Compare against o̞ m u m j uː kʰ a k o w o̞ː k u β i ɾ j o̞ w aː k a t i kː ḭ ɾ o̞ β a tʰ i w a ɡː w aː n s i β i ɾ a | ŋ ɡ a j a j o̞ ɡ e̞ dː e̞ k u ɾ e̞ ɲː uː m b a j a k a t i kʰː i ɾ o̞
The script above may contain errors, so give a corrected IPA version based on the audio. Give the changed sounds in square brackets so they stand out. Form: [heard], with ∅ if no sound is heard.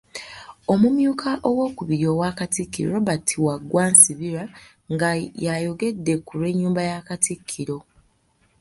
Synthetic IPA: o̞ m u m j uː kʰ a [ʔ] o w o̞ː k u β i ɾ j o̞ w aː k a t i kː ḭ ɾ o̞ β a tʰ i w a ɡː w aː n s i β i ɾ a | ŋ ɡ a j a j o̞ ɡ e̞ dː e̞ k u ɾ e̞ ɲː uː m b a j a k a t i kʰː i ɾ o̞